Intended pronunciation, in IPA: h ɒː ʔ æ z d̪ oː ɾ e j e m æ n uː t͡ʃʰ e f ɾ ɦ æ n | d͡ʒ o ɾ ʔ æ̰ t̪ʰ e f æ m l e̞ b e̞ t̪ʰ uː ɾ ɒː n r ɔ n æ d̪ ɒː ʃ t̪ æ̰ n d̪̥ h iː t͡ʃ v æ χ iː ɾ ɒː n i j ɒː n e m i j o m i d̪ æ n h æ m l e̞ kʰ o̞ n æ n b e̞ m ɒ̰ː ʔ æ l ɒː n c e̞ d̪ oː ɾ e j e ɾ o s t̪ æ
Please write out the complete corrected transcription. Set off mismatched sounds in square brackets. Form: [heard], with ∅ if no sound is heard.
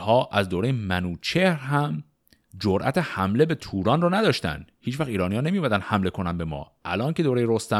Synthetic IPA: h ɒː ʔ æ z d̪ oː ɾ e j e m æ n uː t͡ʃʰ e [h] ɾ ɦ æ [m] | d͡ʒ o ɾ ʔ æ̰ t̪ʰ e [h] æ m l e̞ b e̞ t̪ʰ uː ɾ ɒː n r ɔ n æ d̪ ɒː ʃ t̪ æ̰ n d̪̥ h iː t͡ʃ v æ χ iː ɾ ɒː n i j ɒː n e m i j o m [æ] d̪ æ n h æ m l e̞ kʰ o̞ n æ n b e̞ m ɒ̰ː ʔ æ l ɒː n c e̞ d̪ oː ɾ e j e ɾ o s t̪ æ